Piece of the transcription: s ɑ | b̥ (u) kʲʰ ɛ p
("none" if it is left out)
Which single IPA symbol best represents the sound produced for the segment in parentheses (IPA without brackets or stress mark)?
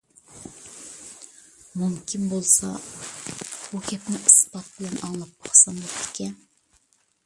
u